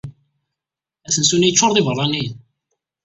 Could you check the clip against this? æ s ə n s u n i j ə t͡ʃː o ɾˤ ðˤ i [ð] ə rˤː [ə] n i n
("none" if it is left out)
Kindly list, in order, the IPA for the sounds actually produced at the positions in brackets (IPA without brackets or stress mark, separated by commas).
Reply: v, ɑ